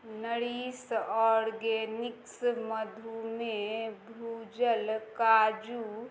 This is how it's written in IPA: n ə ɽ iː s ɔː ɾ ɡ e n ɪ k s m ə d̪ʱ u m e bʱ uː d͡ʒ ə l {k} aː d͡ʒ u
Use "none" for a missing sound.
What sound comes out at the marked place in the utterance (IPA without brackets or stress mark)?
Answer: k